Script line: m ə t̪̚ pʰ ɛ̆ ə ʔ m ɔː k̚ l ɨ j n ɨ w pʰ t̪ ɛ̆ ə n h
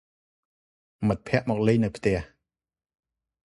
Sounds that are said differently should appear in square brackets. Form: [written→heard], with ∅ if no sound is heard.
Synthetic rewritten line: m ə t̪̚ pʰ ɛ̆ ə ʔ m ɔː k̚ l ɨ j n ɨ w pʰ t̪ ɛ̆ ə [n→∅] h

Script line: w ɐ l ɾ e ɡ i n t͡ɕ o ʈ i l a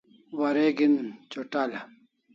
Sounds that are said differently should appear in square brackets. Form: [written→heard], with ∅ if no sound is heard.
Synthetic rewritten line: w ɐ [l→∅] ɾ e ɡ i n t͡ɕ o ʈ [i→a] l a

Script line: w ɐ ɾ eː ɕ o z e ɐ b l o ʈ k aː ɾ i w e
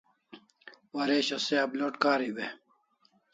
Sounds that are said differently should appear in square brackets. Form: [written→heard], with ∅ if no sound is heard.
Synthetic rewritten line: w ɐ ɾ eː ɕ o [z→s] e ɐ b l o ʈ k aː ɾ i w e

